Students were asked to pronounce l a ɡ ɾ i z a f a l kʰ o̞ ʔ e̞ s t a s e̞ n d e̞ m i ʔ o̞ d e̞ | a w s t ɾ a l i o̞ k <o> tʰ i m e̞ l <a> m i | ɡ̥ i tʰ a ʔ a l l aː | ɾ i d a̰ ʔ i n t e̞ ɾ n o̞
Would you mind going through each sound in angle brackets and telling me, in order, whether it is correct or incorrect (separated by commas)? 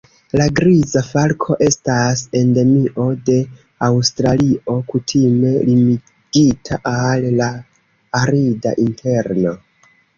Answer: incorrect, incorrect